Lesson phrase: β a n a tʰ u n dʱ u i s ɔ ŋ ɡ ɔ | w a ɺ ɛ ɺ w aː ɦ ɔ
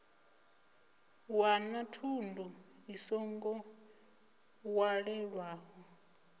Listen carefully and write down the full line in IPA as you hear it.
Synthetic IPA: w a n a tʰ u n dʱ u i s ɔ ŋ ɡ ɔ | w a ɺ ɛ ɺ w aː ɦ ɔ